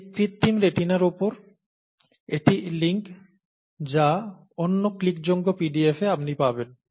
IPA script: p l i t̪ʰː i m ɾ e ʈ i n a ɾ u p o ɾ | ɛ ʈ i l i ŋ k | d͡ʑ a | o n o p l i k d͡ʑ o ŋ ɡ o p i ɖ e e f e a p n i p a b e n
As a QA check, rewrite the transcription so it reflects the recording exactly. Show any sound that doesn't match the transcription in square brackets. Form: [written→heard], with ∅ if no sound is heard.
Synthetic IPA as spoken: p [l→ɾ] i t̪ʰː i m ɾ e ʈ i n a ɾ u p o ɾ | [ɛ→e] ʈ i l i ŋ k | d͡ʑ a | o [n→nː] o [p→k] l i k d͡ʑ o ŋ ɡ o p i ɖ [e→i] e f e a p n i p a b e n